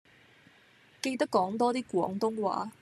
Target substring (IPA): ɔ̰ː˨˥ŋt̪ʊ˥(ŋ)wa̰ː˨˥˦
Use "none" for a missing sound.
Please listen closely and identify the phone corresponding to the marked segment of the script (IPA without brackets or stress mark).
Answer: ŋ